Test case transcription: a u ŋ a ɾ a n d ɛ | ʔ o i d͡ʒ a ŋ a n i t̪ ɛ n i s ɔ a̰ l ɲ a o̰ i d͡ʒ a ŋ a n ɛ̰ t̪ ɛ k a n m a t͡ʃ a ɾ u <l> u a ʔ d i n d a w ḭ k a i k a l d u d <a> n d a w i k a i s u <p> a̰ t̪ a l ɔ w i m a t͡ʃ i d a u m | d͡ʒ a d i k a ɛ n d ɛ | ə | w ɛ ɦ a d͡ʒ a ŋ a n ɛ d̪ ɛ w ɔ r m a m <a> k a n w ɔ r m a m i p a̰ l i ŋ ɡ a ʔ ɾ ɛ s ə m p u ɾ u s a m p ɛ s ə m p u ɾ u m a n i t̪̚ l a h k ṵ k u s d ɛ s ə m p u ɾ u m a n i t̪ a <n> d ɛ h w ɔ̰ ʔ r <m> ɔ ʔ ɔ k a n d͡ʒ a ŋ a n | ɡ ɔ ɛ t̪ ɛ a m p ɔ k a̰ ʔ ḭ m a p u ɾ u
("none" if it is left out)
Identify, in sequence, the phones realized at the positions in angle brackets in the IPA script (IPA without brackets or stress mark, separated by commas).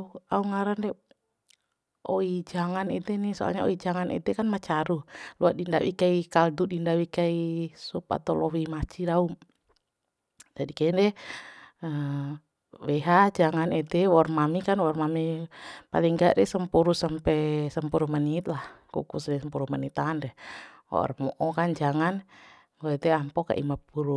l, i, p, i, n, m